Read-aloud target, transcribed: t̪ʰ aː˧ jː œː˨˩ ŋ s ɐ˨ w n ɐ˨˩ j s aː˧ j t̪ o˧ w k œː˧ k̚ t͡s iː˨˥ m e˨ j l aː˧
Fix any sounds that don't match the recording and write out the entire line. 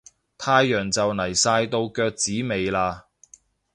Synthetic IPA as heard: t̪ʰ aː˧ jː œː˨˩ ŋ t͡s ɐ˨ w n ɐ˨˩ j s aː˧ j t̪ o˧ w k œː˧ k̚ t͡s iː˨˥ m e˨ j l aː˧